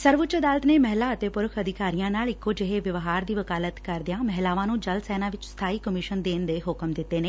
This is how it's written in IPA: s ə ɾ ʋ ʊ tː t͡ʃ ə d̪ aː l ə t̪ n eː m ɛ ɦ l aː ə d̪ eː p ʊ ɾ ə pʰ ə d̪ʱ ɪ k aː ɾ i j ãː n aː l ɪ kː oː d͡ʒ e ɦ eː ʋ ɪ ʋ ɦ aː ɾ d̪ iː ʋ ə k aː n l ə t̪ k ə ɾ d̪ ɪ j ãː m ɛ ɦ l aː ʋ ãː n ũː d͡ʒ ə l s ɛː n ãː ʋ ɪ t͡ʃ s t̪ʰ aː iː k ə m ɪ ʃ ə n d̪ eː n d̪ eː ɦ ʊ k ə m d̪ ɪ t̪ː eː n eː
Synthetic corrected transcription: s ə ɾ ʋ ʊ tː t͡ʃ ə d̪ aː l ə t̪ n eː m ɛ ɦ l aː ə t̪ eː p ʊ ɾ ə kʰ ə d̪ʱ ɪ k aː ɾ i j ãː n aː l ɪ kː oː d͡ʒ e ɦ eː ʋ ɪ ʋ ɦ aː ɾ d̪ iː ʋ ə k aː l ə t̪ k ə ɾ d̪ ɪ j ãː m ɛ ɦ l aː ʋ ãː n ũː d͡ʒ ə l s ɛː n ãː ʋ ɪ t͡ʃ s t̪ʰ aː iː k ə m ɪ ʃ ə n d̪ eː n d̪ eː ɦ ʊ k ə m d̪ ɪ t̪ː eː n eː